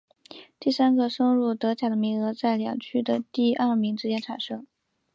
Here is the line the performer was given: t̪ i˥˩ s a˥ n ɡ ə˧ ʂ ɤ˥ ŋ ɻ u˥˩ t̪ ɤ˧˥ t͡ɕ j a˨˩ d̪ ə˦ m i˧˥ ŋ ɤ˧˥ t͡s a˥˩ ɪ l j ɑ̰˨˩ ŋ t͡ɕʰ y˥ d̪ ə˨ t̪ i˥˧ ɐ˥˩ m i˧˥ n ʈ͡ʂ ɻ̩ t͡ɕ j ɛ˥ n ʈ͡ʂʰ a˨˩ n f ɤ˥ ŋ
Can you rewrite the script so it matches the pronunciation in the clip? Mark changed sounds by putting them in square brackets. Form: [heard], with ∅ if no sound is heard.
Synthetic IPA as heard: t̪ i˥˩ s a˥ n ɡ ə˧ ʂ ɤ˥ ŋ ɻ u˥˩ t̪ ɤ˧˥ t͡ɕ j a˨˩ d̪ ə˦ m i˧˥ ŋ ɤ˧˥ t͡s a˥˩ ɪ l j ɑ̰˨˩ ŋ t͡ɕʰ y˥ d̪ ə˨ t̪ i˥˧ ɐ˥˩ m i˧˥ [ŋ] ʈ͡ʂ ɻ̩ t͡ɕ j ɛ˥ n ʈ͡ʂʰ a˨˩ n [ʂ] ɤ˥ ŋ